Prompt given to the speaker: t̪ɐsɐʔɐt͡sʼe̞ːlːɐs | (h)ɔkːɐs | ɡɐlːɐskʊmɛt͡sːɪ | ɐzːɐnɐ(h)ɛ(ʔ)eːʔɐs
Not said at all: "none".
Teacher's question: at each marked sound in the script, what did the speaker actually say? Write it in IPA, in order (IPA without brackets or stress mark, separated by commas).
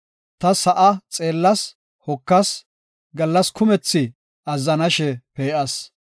h, ʃ, p